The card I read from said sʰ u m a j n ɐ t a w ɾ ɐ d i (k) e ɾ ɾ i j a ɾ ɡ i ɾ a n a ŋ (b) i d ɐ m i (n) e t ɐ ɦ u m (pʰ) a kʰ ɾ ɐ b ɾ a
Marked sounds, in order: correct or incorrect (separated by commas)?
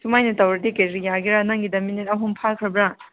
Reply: correct, incorrect, correct, correct